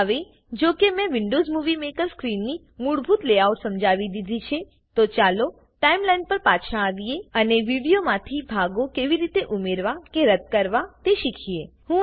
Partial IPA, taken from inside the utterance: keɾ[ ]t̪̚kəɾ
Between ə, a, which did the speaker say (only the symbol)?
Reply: ə